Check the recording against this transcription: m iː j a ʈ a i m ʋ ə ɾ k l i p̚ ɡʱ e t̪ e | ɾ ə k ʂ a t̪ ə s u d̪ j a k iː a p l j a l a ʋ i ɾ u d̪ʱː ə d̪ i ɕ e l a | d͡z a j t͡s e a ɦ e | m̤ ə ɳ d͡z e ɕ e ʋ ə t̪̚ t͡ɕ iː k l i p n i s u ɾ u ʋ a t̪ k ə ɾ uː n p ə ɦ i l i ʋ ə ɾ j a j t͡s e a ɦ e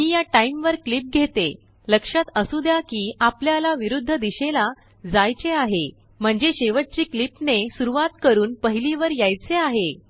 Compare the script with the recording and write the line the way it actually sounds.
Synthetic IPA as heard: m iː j a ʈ a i m ʋ ə ɾ k l i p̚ ɡʱ e t̪ e | l ə k ʂ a t̪ ə s u d̪ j a k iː a p l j a l a ʋ i ɾ u d̪ʱː ə d̪ i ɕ e l a | d͡z a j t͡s e a ɦ e | m̤ ə ɳ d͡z e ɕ e ʋ ə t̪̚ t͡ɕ iː k l i p n e s u ɾ u ʋ a t̪ k ə ɾ uː n p ə ɦ i l i ʋ ə ɾ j a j t͡s e a ɦ e